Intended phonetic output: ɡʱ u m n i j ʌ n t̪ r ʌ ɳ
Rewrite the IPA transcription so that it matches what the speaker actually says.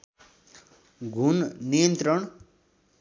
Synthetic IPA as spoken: ɡʱ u n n i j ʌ n t̪ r ʌ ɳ